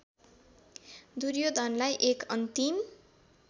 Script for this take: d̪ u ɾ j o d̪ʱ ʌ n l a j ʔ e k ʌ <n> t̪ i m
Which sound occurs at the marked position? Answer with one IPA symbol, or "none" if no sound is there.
n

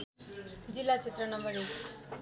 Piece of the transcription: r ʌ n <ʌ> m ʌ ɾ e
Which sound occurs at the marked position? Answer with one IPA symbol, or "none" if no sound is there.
ʌ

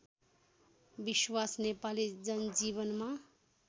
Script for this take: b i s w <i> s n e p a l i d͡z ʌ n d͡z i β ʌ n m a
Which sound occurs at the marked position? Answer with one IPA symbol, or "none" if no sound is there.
a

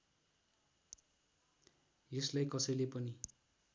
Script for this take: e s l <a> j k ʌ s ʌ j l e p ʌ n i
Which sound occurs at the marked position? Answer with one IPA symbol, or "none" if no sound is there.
a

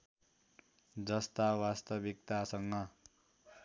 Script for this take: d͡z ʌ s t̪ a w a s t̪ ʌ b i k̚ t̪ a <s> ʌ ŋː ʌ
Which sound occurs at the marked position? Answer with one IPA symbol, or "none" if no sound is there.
s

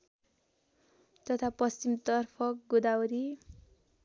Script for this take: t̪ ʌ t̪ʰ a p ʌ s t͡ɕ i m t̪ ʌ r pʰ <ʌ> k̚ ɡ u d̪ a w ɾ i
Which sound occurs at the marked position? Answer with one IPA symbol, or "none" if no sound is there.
ʌ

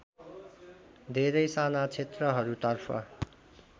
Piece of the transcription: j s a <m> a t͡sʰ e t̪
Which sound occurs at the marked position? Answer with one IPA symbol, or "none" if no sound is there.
n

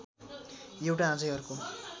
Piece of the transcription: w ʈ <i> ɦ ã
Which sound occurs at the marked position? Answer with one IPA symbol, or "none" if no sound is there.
a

